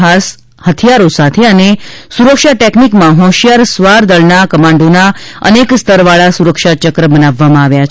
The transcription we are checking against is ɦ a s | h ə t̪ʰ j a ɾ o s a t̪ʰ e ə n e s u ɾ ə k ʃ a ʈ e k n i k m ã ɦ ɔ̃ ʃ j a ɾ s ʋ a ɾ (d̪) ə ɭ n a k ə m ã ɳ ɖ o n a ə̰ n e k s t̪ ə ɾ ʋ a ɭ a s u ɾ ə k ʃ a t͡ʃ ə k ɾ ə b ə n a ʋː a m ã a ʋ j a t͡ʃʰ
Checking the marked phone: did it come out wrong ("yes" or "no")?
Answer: no